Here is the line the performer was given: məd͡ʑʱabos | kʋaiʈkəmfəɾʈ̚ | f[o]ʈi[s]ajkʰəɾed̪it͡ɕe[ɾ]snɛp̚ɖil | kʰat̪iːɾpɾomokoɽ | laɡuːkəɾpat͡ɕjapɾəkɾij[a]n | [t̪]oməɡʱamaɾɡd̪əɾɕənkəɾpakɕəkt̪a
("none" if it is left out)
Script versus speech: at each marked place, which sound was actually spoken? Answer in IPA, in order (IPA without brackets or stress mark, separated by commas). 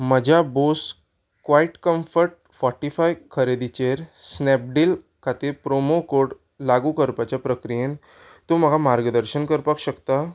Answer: ɔ, f, ɾ, e, t̪